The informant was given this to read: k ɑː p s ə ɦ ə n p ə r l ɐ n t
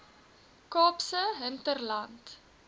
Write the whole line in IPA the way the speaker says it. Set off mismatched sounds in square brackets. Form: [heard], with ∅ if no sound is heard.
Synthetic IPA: k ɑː p s ə ɦ ə n [t] ə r l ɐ n t